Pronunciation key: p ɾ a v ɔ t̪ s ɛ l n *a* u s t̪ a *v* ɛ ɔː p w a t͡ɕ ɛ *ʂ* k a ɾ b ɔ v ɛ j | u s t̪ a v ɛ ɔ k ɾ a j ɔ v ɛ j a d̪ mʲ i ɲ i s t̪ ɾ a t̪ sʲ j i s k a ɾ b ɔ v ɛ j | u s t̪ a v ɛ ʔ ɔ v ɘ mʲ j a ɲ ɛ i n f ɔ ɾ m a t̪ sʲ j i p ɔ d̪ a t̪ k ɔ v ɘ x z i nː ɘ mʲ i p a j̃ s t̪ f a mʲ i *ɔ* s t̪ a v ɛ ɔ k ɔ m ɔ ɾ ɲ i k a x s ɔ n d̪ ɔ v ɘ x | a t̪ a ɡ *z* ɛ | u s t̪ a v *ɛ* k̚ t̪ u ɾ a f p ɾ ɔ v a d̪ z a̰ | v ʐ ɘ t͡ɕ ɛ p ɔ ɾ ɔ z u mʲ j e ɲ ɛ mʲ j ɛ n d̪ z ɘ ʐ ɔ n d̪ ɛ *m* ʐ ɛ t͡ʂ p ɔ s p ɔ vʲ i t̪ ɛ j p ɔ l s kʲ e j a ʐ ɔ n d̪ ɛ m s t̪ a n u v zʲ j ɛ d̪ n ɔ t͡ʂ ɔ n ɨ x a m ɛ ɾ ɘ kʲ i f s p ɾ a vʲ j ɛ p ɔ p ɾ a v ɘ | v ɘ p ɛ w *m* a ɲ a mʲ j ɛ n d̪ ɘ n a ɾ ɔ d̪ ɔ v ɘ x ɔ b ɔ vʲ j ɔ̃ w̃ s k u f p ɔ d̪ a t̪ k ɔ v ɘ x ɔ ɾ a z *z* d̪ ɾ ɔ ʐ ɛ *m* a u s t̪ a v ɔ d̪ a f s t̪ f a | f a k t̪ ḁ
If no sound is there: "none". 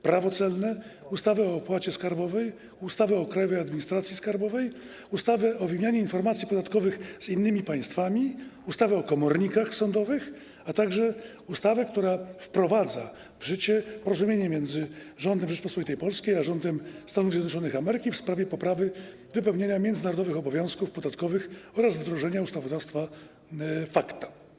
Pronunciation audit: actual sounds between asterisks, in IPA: ɛ, v, s, u, ʐ, ɛ, m, ɲ, v, ɲ

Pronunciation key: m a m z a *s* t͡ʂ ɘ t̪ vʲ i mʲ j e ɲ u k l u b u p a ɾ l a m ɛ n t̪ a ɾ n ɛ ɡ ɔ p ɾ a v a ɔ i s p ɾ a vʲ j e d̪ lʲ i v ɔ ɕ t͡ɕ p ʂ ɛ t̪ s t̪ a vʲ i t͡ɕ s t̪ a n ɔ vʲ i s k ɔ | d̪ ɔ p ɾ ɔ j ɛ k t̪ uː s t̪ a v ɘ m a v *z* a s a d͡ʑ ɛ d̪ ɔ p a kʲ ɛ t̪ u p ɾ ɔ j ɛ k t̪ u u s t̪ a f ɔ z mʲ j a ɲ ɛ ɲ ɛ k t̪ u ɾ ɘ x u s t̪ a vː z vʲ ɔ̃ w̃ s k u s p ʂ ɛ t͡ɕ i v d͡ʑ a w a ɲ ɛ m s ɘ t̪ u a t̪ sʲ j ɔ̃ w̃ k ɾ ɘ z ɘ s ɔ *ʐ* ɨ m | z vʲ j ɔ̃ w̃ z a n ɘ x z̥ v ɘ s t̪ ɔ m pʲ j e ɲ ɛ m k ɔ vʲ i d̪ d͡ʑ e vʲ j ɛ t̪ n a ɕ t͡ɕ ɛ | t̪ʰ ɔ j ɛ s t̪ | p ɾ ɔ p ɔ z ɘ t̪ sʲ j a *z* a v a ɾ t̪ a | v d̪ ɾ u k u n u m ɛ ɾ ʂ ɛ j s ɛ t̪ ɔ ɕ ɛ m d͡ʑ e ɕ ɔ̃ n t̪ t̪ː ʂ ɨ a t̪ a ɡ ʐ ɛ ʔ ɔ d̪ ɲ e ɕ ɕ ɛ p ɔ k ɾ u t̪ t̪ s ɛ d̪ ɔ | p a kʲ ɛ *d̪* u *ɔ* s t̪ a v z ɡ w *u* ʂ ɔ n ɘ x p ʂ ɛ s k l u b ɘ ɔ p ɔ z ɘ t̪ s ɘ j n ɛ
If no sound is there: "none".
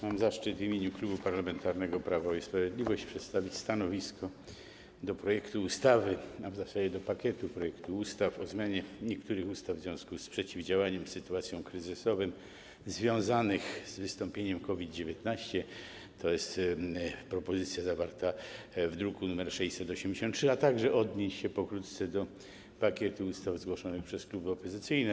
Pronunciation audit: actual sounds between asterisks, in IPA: ʂ, z, v, z, t̪, u, ɔ

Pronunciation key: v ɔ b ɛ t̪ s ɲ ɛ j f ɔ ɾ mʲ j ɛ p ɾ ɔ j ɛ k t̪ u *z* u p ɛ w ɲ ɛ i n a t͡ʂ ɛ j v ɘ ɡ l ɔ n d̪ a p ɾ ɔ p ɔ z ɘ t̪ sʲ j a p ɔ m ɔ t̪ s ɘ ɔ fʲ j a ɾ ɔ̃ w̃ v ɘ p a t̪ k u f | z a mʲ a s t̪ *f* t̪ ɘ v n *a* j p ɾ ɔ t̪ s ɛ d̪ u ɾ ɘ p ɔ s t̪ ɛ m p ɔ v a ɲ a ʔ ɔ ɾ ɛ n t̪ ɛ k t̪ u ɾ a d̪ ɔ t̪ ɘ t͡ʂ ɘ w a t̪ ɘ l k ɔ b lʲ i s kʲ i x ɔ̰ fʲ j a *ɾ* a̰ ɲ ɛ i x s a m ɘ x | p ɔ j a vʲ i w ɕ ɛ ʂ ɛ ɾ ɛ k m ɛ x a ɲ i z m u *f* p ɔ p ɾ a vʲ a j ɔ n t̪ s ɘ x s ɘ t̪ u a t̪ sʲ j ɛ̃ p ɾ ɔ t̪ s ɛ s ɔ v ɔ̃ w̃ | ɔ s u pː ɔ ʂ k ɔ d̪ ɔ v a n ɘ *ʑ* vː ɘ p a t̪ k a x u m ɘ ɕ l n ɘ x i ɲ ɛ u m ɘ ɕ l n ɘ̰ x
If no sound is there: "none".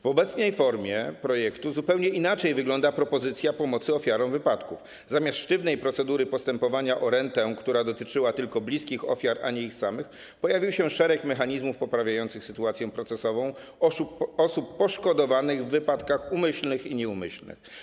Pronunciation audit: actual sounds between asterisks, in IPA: z, ʂ, ɛ, ɾ, f, ɣ

